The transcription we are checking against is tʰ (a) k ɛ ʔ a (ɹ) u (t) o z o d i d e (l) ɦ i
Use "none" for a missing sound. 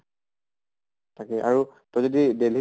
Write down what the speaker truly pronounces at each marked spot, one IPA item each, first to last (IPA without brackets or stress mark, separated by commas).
a, ɹ, t, l